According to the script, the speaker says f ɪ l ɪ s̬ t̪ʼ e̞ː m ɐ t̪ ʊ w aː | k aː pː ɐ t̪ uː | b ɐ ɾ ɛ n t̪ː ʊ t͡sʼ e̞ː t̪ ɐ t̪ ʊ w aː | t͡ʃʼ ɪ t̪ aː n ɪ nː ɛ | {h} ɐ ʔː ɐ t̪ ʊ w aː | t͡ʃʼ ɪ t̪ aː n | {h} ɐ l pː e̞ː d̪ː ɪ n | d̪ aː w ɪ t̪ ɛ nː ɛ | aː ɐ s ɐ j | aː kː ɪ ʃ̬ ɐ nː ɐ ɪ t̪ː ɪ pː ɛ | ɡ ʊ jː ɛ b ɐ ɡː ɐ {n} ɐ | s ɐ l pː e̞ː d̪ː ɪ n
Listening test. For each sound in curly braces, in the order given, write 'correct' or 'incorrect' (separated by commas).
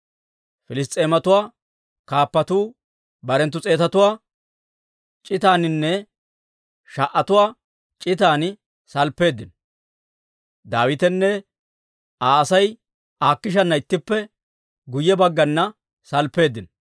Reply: incorrect, incorrect, incorrect